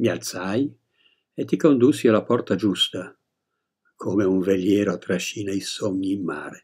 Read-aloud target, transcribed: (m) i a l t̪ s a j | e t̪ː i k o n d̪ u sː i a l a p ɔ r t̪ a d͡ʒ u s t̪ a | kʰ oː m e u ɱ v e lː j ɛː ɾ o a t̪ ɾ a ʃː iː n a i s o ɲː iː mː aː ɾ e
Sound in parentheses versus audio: correct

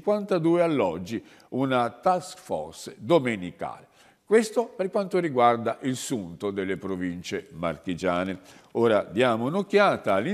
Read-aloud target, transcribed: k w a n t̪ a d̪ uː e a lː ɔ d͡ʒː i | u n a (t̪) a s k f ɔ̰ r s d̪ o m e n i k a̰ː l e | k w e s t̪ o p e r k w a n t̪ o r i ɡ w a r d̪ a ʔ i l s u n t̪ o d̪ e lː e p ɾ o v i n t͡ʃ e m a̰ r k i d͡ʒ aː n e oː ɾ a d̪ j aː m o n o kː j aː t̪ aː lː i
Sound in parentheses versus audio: correct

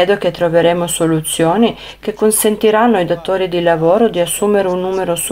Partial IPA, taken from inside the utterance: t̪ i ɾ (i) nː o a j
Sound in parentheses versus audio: incorrect: a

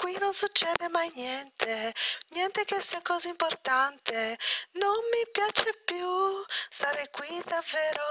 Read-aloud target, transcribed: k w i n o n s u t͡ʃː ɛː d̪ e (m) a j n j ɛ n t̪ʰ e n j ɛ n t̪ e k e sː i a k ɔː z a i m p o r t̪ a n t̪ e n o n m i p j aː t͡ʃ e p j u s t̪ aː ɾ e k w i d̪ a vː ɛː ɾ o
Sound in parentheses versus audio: correct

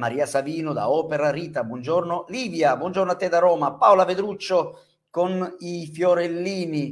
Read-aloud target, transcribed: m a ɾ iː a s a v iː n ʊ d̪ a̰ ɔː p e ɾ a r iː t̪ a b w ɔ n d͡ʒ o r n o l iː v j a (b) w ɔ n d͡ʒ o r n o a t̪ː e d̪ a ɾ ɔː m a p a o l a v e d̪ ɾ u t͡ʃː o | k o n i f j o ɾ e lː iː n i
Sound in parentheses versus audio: correct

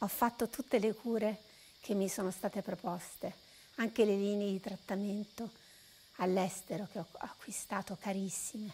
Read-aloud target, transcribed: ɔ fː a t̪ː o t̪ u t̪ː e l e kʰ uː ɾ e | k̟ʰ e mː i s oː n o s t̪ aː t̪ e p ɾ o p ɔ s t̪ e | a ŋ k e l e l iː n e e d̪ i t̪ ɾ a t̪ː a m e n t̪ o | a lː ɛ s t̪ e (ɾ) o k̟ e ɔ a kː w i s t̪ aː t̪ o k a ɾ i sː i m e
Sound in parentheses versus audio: correct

